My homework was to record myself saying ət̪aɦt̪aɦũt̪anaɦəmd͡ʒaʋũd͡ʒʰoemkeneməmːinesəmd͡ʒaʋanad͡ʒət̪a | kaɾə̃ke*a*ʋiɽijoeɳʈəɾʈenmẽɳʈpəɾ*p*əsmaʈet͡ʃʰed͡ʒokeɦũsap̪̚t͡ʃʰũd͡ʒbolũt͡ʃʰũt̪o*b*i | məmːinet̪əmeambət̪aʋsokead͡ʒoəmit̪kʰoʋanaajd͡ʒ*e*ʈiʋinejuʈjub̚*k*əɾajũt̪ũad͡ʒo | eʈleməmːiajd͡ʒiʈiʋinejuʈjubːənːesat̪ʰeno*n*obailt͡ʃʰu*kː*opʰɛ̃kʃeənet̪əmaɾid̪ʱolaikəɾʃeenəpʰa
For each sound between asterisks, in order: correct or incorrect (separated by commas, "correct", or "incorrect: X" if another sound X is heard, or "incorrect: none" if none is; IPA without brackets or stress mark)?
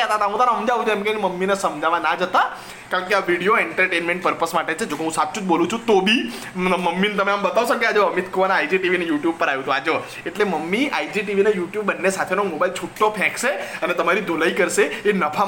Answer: correct, correct, correct, incorrect: i, incorrect: p, incorrect: m, incorrect: ʈː